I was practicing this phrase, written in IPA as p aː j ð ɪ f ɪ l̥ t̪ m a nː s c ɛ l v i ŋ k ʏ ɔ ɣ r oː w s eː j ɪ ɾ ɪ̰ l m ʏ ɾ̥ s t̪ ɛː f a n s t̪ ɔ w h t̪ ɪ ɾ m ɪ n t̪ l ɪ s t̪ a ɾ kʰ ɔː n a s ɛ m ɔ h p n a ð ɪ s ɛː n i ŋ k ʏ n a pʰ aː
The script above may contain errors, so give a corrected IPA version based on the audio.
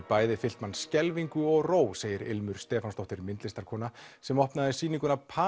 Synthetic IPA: p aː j ð ɪ f ɪ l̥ t̪ m a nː s c ɛ l v i ŋ k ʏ ɔ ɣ r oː w s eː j ɪ ɾ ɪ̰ l m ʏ ɾ̥ s t̪ ɛː f a n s t̪ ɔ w h t̪ ɪ ɾ m ɪ n t̪ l ɪ s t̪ a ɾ kʰ ɔː n a s ɛ m ɔ h p n a ð ɪ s iː n i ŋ k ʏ n a pʰ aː